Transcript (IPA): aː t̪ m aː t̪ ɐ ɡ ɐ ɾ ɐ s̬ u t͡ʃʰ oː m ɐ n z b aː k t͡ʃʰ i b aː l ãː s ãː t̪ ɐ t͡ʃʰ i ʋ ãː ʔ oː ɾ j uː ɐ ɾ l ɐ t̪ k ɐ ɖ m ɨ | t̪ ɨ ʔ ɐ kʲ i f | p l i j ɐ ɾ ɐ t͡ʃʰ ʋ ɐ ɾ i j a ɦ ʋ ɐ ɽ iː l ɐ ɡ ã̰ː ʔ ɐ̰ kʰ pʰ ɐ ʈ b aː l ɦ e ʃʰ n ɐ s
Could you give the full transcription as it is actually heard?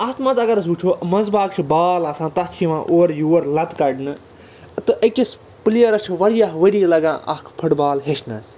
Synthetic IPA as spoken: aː t̪ m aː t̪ ɐ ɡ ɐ ɾ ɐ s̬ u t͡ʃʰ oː m ɐ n z b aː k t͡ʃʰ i b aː l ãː s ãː t̪ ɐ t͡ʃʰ i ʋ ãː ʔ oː ɾ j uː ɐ ɾ l ɐ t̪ k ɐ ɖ n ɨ | t̪ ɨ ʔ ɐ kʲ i s | p l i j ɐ ɾ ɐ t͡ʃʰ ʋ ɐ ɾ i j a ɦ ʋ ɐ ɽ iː l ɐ ɡ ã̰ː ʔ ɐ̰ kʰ pʰ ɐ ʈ b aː l ɦ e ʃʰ n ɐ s